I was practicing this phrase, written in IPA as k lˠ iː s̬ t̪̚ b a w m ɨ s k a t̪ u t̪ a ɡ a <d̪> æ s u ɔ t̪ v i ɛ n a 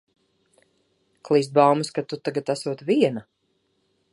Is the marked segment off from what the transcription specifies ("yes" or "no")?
yes